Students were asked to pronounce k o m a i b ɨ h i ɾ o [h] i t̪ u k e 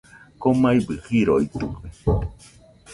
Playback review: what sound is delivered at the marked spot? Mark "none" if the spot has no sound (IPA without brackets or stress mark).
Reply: none